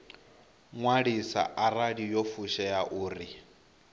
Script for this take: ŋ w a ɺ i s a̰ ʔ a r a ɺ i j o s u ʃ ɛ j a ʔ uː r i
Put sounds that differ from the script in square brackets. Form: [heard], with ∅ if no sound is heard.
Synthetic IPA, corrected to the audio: ŋ w a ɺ i s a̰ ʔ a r a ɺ i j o [f] u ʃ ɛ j a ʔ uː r i